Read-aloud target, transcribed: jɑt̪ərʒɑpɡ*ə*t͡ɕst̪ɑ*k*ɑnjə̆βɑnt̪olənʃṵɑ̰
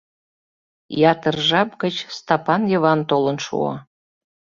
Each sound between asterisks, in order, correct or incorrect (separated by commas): correct, incorrect